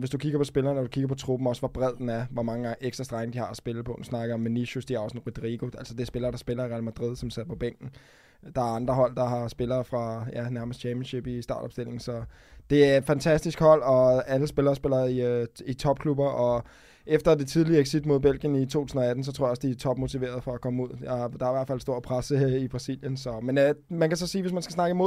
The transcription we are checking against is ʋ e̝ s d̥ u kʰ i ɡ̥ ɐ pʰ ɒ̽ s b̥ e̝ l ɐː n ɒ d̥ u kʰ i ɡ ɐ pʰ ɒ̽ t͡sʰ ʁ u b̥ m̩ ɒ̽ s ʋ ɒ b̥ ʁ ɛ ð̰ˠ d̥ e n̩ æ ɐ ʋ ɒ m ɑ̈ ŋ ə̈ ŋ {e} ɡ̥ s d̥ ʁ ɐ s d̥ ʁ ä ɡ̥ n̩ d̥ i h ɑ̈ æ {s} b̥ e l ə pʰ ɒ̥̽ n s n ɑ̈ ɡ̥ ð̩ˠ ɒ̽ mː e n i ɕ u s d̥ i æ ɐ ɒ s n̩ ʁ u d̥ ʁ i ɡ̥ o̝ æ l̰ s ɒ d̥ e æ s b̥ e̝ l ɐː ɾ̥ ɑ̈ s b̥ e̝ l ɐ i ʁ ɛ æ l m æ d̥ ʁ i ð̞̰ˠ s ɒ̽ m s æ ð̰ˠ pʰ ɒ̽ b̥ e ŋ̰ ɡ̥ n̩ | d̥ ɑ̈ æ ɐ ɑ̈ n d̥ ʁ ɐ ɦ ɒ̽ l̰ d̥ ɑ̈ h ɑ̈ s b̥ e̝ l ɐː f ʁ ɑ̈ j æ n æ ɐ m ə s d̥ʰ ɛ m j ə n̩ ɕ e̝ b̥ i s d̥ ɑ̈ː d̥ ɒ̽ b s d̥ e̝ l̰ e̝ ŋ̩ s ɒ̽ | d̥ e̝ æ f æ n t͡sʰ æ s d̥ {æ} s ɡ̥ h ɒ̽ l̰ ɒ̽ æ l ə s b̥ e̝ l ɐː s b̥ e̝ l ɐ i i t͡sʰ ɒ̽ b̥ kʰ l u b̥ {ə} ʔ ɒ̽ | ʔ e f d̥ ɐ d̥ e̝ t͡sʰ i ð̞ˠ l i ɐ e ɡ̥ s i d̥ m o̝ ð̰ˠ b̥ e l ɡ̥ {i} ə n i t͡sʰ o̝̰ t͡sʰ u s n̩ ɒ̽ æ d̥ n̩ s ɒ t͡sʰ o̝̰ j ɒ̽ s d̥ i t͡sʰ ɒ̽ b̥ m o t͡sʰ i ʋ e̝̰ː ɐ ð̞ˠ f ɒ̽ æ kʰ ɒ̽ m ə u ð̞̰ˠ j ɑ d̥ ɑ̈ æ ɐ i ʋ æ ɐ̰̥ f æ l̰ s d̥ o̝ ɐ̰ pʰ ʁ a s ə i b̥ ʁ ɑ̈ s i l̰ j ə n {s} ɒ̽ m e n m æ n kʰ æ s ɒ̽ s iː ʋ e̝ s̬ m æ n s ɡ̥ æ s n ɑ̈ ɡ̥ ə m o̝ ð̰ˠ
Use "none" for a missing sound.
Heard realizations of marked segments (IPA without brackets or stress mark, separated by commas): e, s, i, ɐ, j, s